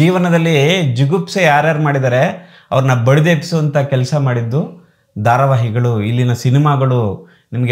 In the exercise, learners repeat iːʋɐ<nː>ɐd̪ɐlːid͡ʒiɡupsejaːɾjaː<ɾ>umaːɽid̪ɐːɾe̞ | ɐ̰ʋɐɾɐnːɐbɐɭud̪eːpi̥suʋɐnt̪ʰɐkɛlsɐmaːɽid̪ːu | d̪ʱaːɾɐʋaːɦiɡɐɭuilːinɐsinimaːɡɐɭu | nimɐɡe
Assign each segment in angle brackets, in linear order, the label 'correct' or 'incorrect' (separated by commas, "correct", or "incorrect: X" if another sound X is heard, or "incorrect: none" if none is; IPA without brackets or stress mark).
incorrect: n, correct